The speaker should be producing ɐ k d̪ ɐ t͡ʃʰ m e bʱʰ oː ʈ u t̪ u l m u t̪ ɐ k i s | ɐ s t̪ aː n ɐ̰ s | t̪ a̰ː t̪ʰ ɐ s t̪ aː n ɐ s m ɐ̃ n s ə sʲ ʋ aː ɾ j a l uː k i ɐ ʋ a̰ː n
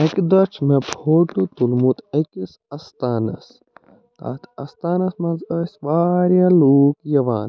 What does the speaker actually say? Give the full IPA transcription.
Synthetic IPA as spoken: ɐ k d̪ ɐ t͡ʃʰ m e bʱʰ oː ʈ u t̪ u l m u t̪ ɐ k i s | ɐ s t̪ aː n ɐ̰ s | t̪ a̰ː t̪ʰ ɐ s t̪ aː n ɐ s m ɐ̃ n z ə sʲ ʋ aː ɾ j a l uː k j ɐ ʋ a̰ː n